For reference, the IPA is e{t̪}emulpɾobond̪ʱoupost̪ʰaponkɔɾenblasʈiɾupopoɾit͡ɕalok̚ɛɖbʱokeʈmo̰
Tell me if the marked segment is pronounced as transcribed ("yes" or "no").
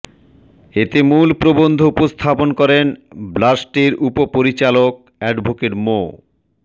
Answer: yes